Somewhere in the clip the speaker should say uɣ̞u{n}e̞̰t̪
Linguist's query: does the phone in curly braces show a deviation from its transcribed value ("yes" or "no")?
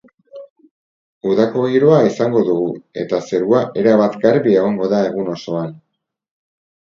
yes